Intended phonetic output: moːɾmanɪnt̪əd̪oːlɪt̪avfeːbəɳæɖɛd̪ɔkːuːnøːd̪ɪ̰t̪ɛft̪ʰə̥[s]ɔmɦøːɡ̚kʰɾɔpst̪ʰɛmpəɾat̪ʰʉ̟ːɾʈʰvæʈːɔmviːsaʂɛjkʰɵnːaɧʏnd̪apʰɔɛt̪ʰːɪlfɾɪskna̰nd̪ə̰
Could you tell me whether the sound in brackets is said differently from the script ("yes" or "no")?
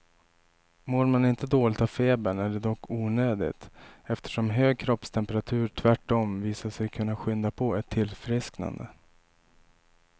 yes